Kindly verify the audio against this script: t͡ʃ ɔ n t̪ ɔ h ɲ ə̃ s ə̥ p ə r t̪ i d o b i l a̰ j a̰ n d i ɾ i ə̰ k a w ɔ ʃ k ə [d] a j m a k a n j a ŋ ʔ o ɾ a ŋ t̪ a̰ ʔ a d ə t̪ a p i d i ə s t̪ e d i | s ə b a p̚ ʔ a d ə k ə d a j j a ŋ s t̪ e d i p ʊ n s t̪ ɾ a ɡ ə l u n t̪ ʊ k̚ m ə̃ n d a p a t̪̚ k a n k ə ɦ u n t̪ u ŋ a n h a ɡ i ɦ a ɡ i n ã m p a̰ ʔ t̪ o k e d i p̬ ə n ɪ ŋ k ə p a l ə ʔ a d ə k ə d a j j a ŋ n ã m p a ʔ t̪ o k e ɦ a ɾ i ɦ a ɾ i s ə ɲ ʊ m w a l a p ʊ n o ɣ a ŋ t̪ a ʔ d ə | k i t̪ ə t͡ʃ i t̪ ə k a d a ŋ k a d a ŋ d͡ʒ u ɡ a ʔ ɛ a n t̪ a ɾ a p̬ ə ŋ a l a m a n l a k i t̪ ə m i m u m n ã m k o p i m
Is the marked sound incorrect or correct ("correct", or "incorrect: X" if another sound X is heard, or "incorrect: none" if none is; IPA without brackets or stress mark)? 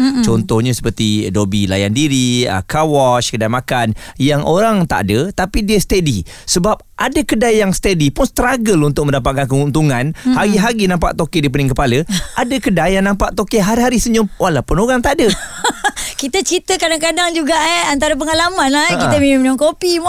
correct